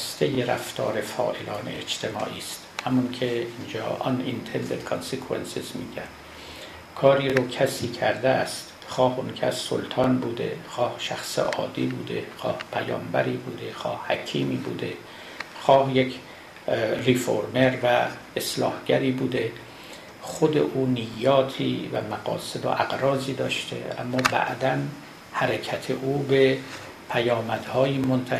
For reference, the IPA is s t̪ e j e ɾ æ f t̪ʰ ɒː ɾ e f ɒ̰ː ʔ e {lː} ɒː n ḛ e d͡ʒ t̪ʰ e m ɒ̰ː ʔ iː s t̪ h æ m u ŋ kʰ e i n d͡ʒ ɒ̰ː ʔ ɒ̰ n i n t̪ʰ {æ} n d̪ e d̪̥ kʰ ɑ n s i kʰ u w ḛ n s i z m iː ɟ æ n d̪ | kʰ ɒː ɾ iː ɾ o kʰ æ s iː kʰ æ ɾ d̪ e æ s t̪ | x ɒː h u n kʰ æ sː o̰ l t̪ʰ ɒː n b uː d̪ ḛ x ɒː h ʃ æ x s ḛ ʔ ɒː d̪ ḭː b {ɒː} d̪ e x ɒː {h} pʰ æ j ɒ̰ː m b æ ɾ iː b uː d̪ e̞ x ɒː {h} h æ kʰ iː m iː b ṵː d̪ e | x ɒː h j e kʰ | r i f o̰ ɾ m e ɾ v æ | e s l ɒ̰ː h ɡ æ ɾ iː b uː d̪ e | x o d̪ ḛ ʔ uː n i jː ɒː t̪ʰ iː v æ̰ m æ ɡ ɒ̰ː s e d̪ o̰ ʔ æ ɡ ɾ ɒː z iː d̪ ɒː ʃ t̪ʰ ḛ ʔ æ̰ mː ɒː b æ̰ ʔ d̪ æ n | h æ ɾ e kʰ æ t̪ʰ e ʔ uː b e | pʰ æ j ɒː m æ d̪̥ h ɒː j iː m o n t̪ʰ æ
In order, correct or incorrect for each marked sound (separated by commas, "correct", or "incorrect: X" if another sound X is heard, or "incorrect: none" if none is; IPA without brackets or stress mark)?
incorrect: l, incorrect: e, incorrect: uː, correct, correct